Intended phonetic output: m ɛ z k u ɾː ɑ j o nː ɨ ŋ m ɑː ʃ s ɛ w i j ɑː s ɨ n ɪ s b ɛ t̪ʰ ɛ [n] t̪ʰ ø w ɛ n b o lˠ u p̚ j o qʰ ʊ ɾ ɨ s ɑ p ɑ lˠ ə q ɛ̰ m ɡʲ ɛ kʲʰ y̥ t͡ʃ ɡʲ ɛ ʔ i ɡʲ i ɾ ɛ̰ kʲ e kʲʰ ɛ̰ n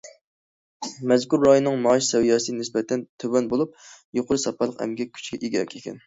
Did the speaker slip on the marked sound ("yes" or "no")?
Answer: no